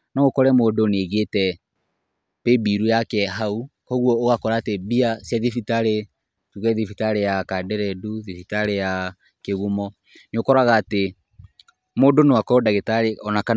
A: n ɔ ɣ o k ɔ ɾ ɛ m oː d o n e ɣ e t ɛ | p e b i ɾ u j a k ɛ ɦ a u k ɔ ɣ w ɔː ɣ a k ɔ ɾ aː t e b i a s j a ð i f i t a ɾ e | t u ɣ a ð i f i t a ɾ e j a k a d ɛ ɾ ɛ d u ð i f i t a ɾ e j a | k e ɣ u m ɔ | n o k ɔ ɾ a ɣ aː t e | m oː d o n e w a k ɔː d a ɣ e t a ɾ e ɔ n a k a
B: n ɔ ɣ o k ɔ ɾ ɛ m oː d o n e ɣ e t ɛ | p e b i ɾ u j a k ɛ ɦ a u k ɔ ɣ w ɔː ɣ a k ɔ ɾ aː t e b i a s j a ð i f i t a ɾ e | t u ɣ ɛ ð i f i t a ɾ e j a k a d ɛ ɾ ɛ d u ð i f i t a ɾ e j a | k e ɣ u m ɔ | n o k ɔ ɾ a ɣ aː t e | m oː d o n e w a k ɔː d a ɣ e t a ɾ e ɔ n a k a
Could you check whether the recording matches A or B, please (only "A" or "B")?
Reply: B